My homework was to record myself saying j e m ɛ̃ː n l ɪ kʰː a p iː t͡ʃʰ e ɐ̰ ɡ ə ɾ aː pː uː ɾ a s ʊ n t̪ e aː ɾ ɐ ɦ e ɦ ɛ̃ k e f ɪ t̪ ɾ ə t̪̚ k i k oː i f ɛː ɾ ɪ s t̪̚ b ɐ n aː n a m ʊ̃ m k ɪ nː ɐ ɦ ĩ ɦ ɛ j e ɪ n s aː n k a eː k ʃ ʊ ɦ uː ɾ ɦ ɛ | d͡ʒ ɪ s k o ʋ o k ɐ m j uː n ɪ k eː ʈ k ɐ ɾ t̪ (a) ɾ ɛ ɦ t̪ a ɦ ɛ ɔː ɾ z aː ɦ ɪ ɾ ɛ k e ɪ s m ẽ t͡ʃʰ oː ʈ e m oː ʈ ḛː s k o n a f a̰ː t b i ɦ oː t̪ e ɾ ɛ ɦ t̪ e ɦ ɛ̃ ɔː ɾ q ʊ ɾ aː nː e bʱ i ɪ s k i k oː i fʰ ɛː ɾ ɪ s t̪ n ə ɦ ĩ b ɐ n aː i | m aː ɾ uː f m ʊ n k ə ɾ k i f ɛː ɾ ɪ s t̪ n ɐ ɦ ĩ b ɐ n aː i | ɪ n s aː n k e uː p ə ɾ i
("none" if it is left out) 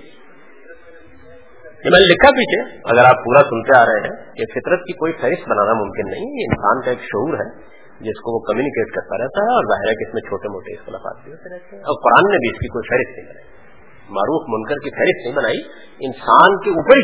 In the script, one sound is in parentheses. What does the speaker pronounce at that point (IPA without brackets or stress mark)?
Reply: a